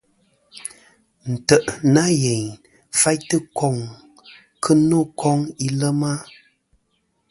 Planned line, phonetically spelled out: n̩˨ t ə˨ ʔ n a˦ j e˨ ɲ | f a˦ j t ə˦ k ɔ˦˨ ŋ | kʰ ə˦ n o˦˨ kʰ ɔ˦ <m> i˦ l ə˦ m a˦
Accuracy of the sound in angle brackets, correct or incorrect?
incorrect